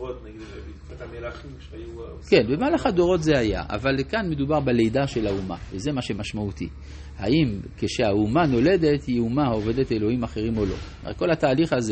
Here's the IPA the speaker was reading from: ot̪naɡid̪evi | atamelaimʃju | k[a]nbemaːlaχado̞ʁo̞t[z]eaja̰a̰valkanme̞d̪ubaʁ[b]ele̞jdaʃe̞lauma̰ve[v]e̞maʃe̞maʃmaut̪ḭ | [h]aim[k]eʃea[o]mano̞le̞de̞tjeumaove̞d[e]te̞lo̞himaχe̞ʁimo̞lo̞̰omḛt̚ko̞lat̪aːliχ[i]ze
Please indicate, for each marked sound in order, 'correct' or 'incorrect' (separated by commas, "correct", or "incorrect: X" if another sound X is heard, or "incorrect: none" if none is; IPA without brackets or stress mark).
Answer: incorrect: e, correct, correct, incorrect: z, correct, correct, incorrect: u, correct, incorrect: a